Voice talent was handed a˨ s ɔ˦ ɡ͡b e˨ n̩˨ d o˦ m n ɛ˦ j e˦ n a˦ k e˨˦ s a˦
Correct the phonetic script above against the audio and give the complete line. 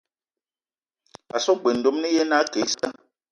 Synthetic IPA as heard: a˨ s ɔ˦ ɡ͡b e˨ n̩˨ d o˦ m n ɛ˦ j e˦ n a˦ k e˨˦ s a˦

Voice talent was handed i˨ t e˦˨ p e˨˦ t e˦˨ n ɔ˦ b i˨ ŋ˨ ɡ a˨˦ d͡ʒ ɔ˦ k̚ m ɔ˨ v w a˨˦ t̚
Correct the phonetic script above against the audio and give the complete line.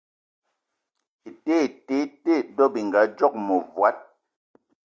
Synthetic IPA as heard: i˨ t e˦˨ t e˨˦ t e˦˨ d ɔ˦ b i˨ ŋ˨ ɡ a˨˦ d͡ʒ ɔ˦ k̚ m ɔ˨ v w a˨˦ t̚

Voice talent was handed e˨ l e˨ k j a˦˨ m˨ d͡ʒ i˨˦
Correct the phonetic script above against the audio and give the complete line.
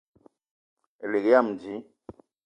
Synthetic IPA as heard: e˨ l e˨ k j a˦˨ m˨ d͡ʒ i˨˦

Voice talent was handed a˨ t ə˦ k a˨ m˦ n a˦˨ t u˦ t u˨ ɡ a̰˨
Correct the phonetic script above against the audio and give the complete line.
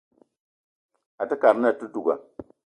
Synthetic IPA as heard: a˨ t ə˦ k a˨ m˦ n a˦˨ t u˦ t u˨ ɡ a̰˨

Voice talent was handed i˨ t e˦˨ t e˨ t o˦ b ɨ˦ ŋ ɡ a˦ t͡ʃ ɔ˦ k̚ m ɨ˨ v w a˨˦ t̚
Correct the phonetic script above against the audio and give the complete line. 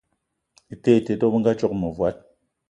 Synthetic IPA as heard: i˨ t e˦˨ t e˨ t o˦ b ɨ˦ ŋ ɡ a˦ t͡ʃ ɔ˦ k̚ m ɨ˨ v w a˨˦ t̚

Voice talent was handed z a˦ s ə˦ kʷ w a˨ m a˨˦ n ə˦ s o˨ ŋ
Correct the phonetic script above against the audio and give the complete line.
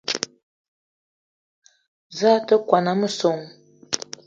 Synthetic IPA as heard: z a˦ t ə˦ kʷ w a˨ n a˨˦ m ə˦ s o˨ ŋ

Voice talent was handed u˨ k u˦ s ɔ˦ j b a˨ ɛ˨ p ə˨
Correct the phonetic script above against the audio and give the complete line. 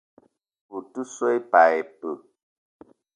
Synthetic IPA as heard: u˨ t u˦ s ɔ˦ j p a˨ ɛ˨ p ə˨

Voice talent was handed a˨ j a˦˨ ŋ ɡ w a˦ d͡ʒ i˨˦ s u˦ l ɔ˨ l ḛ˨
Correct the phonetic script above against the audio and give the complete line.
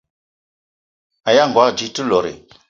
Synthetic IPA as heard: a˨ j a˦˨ ŋ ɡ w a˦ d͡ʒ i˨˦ t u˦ l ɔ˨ ɾ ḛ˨

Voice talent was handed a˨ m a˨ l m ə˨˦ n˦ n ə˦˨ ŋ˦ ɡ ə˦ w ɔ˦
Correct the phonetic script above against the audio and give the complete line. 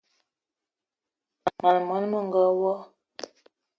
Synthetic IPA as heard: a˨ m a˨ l m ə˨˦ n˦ m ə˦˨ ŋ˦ ɡ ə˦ w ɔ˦

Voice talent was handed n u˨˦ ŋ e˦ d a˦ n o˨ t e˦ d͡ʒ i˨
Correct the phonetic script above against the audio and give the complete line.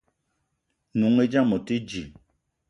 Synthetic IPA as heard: n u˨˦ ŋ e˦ d͡ʒ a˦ m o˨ t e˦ d͡ʒ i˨

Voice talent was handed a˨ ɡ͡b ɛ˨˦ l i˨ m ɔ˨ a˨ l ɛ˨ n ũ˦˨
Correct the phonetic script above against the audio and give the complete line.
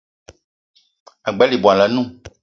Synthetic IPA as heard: a˨ ɡ͡b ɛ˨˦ l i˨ b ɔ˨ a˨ l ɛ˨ n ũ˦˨

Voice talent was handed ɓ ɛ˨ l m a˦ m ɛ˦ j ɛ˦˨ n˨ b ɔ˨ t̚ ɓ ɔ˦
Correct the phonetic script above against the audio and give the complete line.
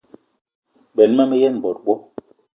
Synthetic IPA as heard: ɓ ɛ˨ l m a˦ m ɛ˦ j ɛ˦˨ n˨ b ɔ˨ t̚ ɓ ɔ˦

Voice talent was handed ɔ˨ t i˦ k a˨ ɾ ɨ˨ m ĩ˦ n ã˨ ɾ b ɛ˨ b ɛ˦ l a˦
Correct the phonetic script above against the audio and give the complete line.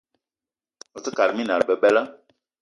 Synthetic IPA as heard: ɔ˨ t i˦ k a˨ ɾ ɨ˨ m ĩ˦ n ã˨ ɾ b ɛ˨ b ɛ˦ l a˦

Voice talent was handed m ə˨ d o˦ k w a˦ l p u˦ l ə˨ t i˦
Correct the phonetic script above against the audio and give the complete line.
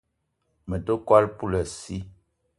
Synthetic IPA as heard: m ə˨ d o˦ k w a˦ l p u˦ l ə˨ s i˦

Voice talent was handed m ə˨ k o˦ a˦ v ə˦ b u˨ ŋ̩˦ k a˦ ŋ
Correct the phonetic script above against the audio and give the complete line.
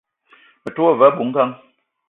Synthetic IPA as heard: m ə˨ t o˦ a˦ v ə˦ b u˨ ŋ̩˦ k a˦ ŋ

